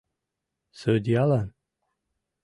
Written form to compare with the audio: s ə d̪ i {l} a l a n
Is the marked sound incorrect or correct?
incorrect